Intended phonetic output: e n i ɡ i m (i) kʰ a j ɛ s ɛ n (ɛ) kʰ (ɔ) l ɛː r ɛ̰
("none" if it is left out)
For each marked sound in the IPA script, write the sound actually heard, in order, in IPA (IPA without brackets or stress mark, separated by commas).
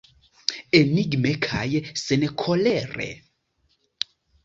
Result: ɛ, ɛ, ɔ